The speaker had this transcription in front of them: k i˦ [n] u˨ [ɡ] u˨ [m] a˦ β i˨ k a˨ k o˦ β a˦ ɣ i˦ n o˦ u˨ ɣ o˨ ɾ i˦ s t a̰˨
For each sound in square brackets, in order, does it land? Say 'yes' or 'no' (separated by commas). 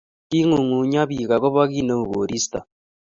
no, no, no